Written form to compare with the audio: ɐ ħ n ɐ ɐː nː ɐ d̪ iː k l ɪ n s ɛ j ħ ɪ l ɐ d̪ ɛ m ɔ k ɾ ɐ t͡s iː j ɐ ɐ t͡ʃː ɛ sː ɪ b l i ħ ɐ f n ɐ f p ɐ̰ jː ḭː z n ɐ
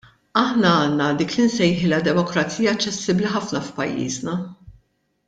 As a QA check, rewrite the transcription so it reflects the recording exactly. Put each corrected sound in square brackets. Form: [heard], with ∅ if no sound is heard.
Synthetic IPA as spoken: ɐ ħ n ɐ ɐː nː ɐ d̪ iː k l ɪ n s ɛ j ħ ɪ l ɐ d̪ ɛ m ɔ k ɾ ɐ t͡s iː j ɐ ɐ t͡ʃː ɛ sː ɪ b l i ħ ɐ f n ɐ f p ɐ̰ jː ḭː z n ɐ